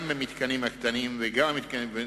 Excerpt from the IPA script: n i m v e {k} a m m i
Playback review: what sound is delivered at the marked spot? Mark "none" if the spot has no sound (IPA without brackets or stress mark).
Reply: ɡ